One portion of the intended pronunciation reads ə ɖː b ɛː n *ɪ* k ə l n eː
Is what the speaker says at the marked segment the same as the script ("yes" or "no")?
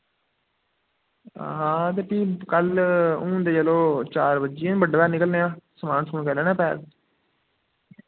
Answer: yes